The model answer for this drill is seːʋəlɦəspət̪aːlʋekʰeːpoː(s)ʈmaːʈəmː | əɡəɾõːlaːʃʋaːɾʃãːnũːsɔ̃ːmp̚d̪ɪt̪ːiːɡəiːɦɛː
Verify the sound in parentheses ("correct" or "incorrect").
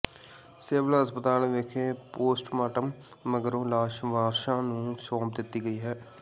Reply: correct